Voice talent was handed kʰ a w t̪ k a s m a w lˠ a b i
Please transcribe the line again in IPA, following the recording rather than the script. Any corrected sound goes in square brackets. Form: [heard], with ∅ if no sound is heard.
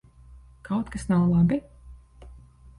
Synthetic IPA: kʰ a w t̪ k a s [n] a w lˠ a b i